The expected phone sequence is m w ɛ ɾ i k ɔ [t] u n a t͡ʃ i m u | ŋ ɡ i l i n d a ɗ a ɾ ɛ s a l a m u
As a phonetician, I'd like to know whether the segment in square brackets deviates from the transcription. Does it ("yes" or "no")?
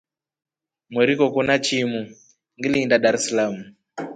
yes